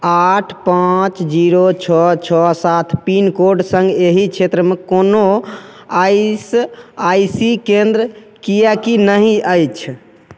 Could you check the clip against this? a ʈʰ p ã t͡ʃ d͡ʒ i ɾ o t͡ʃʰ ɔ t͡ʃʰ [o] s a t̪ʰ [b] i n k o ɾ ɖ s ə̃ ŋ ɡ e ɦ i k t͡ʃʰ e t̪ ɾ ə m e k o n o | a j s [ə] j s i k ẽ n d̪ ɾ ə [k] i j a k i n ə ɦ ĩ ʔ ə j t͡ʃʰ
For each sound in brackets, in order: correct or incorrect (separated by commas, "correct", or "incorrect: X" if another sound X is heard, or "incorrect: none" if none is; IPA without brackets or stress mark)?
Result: incorrect: ɔ, incorrect: p, incorrect: a, correct